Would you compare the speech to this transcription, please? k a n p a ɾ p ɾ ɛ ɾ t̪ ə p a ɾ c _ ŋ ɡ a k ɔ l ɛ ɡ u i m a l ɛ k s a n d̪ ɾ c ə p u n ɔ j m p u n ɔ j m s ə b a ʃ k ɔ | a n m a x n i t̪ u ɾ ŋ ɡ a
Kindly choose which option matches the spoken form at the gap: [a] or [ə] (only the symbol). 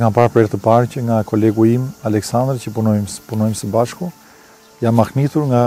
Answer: ə